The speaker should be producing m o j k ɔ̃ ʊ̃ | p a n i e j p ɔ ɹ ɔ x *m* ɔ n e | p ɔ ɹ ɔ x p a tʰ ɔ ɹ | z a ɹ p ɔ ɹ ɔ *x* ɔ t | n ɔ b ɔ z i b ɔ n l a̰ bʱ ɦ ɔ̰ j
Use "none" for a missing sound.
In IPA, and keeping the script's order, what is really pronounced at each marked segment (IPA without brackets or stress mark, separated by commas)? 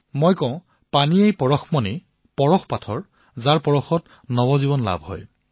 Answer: m, x